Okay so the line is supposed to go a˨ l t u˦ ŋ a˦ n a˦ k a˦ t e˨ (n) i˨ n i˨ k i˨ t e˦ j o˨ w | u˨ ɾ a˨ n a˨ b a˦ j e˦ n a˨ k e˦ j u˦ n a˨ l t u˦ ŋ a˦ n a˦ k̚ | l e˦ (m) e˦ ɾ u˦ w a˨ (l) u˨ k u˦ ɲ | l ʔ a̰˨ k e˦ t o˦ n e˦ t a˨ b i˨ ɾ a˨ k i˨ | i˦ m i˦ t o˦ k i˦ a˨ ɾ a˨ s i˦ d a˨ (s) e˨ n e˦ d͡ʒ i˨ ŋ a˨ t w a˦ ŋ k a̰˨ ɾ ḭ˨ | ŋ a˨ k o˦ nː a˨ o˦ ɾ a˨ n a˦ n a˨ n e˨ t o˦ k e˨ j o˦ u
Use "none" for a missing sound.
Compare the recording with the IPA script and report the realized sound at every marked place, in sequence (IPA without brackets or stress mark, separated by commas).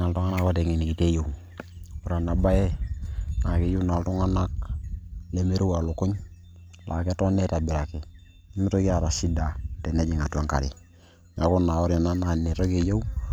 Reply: ŋ, m, l, t